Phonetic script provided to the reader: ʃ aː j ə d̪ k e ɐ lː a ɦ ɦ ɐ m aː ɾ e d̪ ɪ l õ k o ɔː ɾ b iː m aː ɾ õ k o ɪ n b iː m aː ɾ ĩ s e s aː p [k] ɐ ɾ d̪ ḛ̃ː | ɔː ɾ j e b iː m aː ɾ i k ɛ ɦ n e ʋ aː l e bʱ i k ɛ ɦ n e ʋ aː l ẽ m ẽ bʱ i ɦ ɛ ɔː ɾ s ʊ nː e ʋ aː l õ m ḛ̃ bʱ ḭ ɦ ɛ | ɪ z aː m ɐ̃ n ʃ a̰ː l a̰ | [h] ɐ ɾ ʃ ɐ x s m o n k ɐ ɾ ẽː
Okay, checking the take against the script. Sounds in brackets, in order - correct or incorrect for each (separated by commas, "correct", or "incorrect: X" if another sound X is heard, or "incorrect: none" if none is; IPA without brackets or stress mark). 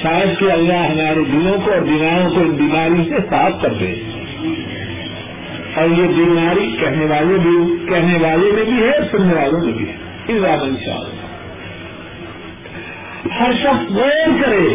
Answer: correct, correct